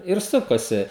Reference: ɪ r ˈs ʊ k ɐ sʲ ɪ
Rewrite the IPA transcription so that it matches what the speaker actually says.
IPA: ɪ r ˈs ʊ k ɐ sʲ ɪ

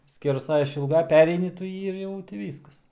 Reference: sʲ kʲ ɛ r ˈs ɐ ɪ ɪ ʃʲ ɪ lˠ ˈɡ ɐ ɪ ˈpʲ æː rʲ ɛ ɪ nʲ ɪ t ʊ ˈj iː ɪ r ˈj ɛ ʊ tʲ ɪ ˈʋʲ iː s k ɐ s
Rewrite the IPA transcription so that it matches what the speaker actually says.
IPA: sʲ kʲ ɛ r ˈs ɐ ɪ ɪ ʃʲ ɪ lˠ ˈɡ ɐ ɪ ˈpʲ æː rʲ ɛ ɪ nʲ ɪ t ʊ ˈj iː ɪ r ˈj ɛ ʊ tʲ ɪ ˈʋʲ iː s k ɐ s

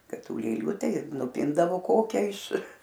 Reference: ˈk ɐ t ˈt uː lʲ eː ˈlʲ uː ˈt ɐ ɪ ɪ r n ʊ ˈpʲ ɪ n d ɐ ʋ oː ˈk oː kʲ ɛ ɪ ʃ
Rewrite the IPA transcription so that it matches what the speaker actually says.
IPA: ˈk ɐ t ˈt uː lʲ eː ˈlʲ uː ˈt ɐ ɪ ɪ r n ʊ ˈpʲ ɪ n d ɐ ʋ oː ˈk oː kʲ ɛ ɪ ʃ

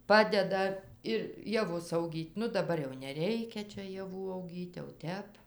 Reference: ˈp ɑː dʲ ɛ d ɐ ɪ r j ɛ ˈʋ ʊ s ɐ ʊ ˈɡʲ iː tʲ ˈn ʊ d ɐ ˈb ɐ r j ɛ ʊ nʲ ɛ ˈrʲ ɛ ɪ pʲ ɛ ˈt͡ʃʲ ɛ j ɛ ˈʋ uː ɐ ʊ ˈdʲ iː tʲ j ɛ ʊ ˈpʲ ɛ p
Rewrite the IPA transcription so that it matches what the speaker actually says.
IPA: ˈp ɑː dʲ ɛ d ɐ ɪ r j ɛ ˈʋ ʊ s ɐ ʊ ˈɡʲ iː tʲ ˈn ʊ d ɐ ˈb ɐ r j ɛ ʊ nʲ ɛ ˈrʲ ɛ ɪ kʲ ɛ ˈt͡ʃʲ ɛ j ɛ ˈʋ uː ɐ ʊ ˈɡʲ iː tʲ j ɛ ʊ ˈtʲ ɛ p

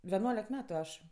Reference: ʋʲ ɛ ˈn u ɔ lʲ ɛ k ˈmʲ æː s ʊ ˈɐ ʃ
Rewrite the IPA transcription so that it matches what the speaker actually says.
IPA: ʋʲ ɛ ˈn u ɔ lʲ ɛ k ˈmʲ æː t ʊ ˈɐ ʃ

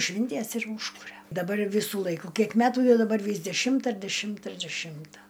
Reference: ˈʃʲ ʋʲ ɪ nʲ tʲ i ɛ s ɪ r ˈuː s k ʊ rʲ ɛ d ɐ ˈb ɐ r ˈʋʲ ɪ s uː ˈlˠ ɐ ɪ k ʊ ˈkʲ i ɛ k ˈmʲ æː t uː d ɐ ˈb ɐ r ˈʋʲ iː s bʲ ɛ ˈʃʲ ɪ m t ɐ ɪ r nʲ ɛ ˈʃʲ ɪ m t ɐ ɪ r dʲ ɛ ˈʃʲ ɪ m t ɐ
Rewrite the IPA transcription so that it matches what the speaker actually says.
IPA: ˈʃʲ ʋʲ ɪ nʲ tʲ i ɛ s ɪ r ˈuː ʃ k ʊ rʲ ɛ d ɐ ˈb ɐ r ˈʋʲ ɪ s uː ˈlˠ ɐ ɪ k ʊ ˈkʲ i ɛ k ˈmʲ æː t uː d ɐ ˈb ɐ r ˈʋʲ iː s dʲ ɛ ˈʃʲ ɪ m t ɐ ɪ r dʲ ɛ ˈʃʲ ɪ m t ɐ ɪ r dʲ ɛ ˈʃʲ ɪ m t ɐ

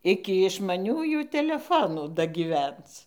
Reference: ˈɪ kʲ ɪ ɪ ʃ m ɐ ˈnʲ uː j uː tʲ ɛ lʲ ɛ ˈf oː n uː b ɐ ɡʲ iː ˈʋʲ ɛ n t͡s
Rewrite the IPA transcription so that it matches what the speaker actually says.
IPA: ˈɪ kʲ ɪ ɪ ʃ m ɐ ˈnʲ uː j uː tʲ ɛ lʲ ɛ ˈf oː n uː d ɐ ɡʲ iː ˈʋʲ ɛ n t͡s

